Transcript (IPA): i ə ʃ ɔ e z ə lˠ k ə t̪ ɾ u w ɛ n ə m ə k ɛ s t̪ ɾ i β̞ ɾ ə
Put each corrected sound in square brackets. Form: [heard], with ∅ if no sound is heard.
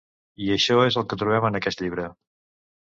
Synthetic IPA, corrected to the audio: i ə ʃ ɔ e z ə lˠ k ə t̪ ɾ u [β] ɛ [m] ə [n] ə k ɛ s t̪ [ʎ] i β̞ ɾ ə